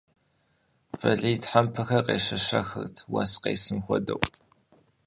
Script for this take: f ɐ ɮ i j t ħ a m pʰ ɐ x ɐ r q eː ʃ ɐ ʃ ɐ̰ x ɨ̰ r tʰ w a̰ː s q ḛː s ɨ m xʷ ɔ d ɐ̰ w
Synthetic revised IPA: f ɐ ɮ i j t ħ a m pʰ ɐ x ɐ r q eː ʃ ɐ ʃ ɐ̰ x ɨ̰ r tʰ w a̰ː s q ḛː s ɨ m xʷ ɔ d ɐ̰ w